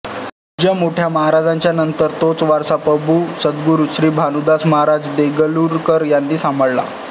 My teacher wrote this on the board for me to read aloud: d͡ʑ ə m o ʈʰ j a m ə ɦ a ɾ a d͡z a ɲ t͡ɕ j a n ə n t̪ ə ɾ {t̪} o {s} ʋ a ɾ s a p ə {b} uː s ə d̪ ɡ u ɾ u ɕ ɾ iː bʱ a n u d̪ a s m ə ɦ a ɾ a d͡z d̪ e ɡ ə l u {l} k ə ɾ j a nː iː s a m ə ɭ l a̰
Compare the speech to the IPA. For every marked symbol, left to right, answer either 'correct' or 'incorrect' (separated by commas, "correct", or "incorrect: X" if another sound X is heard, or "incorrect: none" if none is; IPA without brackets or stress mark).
correct, incorrect: t͡s, correct, incorrect: ɾ